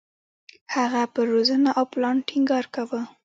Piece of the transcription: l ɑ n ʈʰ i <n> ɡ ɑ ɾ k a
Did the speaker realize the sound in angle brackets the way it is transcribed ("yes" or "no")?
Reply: no